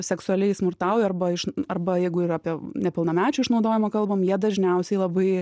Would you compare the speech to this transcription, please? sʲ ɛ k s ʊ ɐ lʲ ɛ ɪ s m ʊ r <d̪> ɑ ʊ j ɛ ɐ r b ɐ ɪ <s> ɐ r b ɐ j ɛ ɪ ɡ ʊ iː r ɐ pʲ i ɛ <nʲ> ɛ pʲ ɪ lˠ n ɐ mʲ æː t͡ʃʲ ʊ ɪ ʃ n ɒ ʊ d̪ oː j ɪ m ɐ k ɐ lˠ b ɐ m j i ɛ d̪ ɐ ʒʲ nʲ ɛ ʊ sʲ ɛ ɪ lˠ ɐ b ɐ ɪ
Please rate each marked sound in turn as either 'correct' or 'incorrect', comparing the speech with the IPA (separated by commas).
incorrect, incorrect, correct